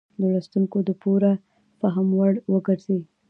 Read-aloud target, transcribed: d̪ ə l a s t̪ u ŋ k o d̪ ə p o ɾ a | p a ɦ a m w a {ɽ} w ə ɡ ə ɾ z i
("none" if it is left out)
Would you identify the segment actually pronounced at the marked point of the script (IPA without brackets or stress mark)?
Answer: ɽ